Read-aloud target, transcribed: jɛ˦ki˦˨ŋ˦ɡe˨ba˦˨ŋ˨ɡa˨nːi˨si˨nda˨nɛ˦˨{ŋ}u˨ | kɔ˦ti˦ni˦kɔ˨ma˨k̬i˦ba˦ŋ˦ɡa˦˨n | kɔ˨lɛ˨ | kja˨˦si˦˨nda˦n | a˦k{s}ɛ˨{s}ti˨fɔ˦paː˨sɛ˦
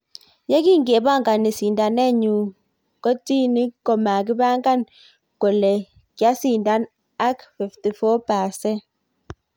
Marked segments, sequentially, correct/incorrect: incorrect, incorrect, incorrect

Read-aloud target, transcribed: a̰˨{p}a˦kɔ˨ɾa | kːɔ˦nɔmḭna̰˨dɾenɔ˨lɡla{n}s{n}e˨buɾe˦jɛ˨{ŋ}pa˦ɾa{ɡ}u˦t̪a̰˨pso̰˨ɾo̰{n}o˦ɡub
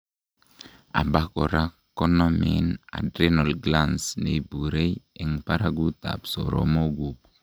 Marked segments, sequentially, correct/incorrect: incorrect, correct, correct, correct, correct, incorrect

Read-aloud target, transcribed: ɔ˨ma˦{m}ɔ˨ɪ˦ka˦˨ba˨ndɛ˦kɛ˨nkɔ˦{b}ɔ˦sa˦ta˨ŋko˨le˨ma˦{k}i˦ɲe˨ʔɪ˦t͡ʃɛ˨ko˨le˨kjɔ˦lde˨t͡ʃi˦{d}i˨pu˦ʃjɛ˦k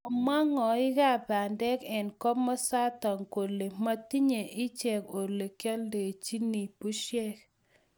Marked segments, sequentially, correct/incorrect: incorrect, incorrect, incorrect, incorrect

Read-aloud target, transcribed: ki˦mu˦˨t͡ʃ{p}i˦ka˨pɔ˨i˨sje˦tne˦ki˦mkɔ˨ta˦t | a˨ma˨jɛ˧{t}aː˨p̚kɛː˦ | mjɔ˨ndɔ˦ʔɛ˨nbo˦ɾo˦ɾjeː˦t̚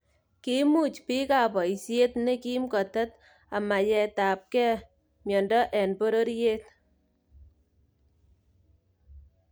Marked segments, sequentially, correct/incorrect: correct, correct

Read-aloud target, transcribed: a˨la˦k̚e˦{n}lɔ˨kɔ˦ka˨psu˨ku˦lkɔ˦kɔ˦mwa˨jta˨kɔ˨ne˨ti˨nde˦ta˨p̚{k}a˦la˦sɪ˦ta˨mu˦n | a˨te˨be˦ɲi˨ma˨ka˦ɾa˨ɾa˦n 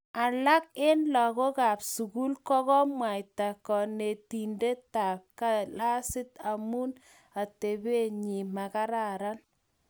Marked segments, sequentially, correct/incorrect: correct, correct

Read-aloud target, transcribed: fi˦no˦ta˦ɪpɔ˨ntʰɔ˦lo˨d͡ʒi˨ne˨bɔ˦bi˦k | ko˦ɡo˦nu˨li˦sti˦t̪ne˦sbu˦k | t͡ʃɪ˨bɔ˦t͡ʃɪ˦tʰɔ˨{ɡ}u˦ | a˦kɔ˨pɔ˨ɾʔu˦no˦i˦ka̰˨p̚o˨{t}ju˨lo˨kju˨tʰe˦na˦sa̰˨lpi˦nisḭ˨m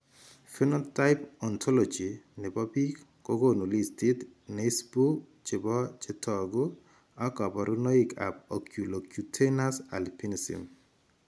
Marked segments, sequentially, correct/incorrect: correct, incorrect

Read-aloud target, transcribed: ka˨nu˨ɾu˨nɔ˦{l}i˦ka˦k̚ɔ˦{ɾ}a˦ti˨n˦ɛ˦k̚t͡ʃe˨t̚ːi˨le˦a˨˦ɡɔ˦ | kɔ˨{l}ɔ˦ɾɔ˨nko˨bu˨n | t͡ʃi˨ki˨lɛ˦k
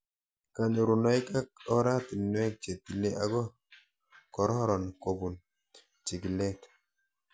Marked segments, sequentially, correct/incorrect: incorrect, correct, incorrect

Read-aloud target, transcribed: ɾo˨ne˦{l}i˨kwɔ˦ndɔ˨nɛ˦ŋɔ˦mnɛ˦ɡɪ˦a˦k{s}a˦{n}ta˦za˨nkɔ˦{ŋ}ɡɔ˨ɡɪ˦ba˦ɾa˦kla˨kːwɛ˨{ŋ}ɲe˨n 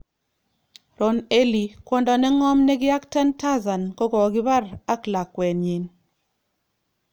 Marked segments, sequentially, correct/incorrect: correct, incorrect, correct, incorrect, incorrect

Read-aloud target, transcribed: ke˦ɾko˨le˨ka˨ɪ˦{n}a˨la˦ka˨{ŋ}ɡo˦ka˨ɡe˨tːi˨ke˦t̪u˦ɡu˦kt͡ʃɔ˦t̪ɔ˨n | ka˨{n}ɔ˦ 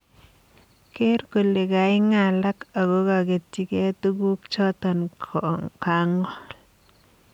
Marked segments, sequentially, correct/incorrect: incorrect, incorrect, incorrect

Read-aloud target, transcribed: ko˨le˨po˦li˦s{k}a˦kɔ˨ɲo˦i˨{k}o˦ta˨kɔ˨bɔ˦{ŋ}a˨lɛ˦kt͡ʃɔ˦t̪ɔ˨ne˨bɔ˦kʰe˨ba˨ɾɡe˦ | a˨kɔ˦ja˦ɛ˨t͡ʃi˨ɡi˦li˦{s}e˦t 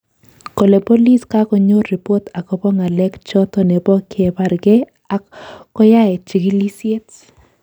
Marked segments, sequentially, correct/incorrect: correct, incorrect, correct, correct

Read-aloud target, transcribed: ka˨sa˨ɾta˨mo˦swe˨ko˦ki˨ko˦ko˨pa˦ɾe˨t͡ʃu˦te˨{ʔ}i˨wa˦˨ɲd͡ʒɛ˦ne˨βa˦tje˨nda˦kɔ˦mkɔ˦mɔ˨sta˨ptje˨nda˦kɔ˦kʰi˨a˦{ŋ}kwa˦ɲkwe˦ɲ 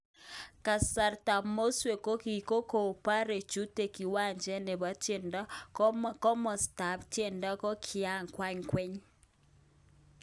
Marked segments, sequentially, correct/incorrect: incorrect, correct

